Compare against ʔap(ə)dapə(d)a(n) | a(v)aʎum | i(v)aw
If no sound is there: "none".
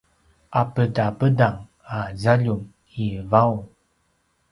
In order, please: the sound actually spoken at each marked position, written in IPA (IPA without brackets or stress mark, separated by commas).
ə, d, ŋ, z, v